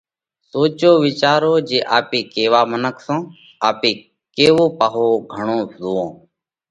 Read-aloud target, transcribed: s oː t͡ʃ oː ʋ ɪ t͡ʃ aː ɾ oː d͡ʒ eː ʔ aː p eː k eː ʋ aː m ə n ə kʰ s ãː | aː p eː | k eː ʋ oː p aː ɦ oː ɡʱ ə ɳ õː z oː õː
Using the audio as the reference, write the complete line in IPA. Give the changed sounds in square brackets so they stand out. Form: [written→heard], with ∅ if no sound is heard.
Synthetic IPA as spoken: s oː t͡ʃ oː ʋ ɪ t͡ʃ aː ɾ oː d͡ʒ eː ʔ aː p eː k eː ʋ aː m ə n ə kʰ s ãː | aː p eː | k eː ʋ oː p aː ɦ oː ɡʱ ə ɳ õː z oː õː